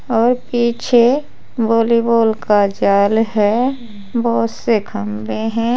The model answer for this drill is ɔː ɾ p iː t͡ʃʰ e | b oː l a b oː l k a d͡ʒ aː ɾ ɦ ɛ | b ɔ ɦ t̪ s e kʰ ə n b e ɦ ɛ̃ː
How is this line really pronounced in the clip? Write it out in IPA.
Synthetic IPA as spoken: ɔː ɾ p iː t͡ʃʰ e | b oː l i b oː l k a d͡ʒ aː l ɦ ɛ | b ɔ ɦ t̪ s e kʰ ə m b e ɦ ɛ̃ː